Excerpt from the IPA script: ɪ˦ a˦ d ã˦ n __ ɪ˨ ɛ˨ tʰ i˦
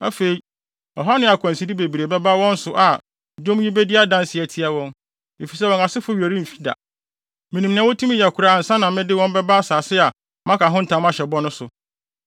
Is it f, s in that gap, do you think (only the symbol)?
s